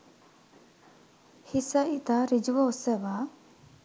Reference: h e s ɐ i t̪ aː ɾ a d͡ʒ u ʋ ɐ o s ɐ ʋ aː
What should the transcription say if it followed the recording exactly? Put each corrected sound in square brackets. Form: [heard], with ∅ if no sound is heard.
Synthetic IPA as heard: h [i] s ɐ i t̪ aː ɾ [i] d͡ʒ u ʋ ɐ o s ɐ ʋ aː